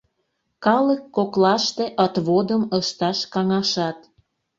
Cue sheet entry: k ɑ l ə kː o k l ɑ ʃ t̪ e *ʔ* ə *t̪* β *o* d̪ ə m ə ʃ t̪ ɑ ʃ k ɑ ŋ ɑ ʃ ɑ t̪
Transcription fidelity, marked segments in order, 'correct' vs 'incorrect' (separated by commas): correct, correct, correct